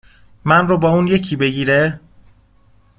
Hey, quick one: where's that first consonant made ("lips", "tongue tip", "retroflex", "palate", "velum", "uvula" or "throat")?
lips